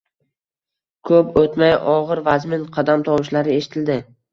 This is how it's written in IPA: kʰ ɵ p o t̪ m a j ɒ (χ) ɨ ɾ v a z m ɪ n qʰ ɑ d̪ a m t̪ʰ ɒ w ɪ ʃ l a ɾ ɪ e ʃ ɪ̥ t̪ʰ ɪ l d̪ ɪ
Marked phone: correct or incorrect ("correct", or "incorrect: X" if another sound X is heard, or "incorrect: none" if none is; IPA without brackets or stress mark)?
incorrect: ʁ